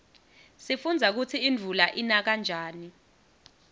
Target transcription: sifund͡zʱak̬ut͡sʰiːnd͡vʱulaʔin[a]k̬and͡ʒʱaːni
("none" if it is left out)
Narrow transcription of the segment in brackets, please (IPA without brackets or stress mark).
a